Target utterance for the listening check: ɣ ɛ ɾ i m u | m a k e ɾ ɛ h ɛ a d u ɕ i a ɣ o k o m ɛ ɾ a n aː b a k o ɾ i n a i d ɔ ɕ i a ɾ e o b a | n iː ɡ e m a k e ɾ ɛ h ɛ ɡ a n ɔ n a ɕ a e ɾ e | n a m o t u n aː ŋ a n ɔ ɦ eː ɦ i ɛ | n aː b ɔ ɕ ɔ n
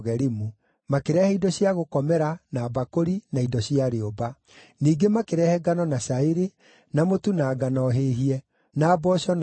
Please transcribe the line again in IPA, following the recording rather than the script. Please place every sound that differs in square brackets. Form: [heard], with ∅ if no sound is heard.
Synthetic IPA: ɣ ɛ ɾ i m u | m a k e ɾ ɛ h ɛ [i] d [ɔ] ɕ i a ɣ o k [ɔ] m ɛ ɾ a n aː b a k o ɾ i n a i d ɔ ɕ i a ɾ e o b a | n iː ɡ e m a k e ɾ ɛ h ɛ ɡ a n ɔ n a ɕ a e ɾ e | n a m o t u n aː [ɡ] a n ɔ ɦ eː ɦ i ɛ | n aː b ɔ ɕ ɔ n

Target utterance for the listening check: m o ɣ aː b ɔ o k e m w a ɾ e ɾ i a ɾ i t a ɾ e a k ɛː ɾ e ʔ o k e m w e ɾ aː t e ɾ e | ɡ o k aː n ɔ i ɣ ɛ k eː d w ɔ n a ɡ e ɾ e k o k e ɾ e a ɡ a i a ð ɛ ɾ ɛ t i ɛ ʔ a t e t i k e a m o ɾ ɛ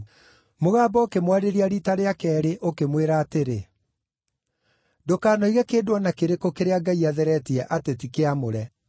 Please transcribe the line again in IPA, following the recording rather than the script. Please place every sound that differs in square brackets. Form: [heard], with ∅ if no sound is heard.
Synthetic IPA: m o ɣ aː b ɔ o k e m w a ɾ e ɾ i a ɾ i t a ɾ e a k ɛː ɾ e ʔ o k e m w e ɾ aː t e ɾ e | [d] o k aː n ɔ i ɣ ɛ k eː d w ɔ n a [k] e ɾ e k o k e ɾ e a ɡ a i a ð ɛ ɾ ɛ t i ɛ ʔ a t e t i k e a m o ɾ ɛ

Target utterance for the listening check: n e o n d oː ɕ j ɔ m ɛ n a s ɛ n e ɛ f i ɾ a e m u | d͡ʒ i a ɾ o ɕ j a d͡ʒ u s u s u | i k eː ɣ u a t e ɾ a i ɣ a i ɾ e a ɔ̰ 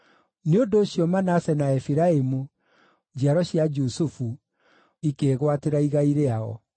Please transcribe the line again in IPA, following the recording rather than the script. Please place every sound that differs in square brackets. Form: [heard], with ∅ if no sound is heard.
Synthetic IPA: n e o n d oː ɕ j ɔ m [a] n a s ɛ n [a] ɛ f i ɾ a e m u | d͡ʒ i a ɾ [ɔ] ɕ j a d͡ʒ u s u [f] u | i k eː ɣ [w] a t e ɾ a i ɣ a i ɾ e a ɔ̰

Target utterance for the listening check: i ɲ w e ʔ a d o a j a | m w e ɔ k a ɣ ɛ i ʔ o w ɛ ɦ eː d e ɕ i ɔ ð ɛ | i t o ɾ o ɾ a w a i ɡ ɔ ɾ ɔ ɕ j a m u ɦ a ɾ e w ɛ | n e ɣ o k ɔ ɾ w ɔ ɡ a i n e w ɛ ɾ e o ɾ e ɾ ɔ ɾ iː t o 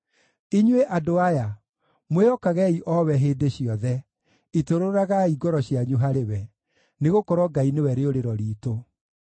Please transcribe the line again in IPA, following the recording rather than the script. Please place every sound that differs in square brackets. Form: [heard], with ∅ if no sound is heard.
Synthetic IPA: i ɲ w e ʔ a d o a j a | m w e ɔ k a ɣ ɛ i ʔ [ɔ] w ɛ ɦ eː d e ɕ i ɔ ð ɛ | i t o ɾ o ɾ a [ɣ] a i ɡ ɔ ɾ ɔ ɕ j a [ɲ] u ɦ a ɾ e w ɛ | n e ɣ o k ɔ ɾ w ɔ ɡ a i n e w ɛ ɾ e o ɾ e ɾ ɔ ɾ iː t o

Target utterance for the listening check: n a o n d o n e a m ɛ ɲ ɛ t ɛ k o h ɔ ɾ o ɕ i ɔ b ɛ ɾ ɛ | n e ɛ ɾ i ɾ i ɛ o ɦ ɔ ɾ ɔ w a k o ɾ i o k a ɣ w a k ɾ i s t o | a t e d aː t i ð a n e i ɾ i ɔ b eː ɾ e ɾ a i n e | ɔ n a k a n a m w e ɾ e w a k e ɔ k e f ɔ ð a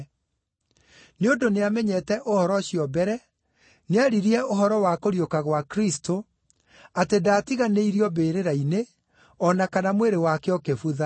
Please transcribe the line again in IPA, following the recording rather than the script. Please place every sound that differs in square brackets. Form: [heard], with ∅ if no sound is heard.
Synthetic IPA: n [e] o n d o n e a m ɛ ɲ ɛ t ɛ [ʔ] o h ɔ ɾ [ɔ] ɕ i ɔ b ɛ ɾ ɛ | n e [a] ɾ i ɾ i ɛ o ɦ ɔ ɾ ɔ w a k o ɾ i o k a ɣ w a k ɾ i s t o | a t e d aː t i [ɣ] a n e i ɾ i ɔ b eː ɾ e ɾ a i n e | ɔ n a k a n a m w e ɾ e w a k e ɔ k e f [u] ð a

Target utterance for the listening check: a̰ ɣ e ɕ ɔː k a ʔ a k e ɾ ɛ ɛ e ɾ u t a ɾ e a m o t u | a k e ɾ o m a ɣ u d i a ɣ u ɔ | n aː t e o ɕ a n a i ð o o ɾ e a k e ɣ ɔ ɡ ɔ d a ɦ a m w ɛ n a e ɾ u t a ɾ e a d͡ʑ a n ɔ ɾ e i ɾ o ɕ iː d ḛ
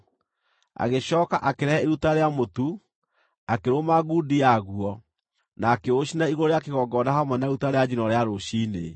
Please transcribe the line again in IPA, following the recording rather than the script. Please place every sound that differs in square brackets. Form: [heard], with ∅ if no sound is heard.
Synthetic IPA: a̰ ɣ e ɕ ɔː k a ʔ a k e ɾ ɛ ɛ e ɾ u t a ɾ e a m o t u | a k e ɾ o m a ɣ u d i a ɣ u ɔ | n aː [k] e o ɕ [i] n a i [ɣ] o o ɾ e a k e ɣ ɔ ɡ ɔ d a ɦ a m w ɛ n a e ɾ u t a ɾ e a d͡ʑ [i] n ɔ ɾ e [a] ɾ o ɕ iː [n] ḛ

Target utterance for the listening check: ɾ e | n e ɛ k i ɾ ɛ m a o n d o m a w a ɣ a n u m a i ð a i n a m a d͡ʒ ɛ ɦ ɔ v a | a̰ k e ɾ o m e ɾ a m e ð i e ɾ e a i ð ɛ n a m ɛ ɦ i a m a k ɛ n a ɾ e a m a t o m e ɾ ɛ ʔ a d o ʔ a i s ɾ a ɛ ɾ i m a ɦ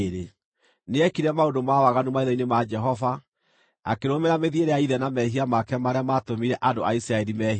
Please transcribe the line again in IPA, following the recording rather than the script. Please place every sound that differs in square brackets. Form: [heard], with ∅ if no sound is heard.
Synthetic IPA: ɾ e | n e ɛ k i ɾ ɛ m a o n d o m a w a ɣ a n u m a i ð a i n [e] m a d͡ʒ ɛ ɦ ɔ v a | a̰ k e ɾ o m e ɾ a m e ð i e ɾ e a i ð ɛ n a m ɛ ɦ i a m a k ɛ [m] a ɾ e a m a t o m [i] ɾ ɛ ʔ a d o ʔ a i s ɾ a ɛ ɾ i m [ɛ] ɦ

